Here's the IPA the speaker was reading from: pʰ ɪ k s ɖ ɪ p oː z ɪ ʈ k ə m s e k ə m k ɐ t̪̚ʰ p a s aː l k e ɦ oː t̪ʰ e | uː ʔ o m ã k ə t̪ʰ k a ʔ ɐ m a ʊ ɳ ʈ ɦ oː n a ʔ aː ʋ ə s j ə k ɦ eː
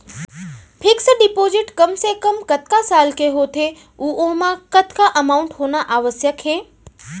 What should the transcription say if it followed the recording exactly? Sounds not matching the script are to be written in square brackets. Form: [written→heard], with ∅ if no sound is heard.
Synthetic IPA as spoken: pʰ ɪ k s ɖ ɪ p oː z ɪ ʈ k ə m s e k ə m k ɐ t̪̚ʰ [p→k] a s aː l k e ɦ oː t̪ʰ e | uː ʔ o m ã k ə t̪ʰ k a ʔ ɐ m a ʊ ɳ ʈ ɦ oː n a ʔ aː ʋ ə s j ə k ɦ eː